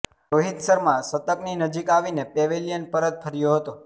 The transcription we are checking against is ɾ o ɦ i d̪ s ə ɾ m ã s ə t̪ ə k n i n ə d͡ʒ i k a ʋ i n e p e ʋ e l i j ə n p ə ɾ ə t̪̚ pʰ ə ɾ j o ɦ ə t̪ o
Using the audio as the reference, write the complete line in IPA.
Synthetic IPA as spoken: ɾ o ɦ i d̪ s ə ɾ m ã s ə t̪ ə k n i n ə d͡ʒ i k a ʋ i n e p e ʋ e l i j ə n p ə ɾ ə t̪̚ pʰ ə ɾ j o ɦ ə t̪ o